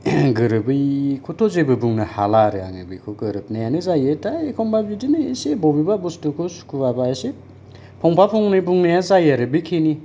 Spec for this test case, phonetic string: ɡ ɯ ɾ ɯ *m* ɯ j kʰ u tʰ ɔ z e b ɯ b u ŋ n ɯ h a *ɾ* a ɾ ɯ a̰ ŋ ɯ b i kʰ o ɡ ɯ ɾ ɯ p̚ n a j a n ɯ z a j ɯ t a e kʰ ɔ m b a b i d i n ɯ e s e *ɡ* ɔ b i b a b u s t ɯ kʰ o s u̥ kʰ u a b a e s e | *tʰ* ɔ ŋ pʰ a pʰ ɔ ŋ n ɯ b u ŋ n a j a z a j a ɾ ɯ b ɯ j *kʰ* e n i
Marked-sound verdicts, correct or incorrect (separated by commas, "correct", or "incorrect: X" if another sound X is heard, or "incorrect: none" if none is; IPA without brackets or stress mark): incorrect: b, incorrect: l, incorrect: b, incorrect: pʰ, correct